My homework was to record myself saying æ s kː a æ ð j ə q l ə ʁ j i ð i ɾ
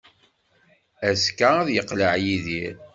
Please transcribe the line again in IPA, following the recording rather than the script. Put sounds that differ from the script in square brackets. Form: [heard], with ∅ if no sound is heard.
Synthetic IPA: æ s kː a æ ð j ə q l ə [ʕ] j i ð i ɾ